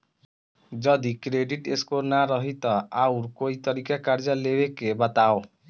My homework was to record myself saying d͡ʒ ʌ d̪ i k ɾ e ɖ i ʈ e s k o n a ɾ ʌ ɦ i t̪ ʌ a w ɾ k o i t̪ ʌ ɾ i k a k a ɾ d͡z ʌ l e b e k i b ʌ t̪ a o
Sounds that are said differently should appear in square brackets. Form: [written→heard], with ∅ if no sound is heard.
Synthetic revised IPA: d͡ʒ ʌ d̪ i k ɾ e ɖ i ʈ e s k o n a ɾ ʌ ɦ i t̪ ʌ a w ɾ k o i t̪ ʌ ɾ i k a k a ɾ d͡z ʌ l e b e k [i→e] b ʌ t̪ a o